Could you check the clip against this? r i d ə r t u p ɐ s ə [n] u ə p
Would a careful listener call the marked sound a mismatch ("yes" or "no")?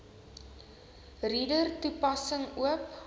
yes